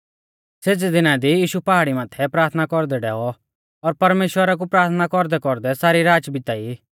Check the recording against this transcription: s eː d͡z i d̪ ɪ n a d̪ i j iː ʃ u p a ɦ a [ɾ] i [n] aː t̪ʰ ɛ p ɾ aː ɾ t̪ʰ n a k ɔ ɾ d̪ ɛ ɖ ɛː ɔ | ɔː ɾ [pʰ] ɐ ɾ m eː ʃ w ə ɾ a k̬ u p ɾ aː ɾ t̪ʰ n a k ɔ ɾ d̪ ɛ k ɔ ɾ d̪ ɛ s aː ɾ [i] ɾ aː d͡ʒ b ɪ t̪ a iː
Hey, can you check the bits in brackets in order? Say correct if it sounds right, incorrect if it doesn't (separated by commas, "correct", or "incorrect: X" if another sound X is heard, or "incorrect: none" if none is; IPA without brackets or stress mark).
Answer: incorrect: ɽ, incorrect: m, incorrect: p, correct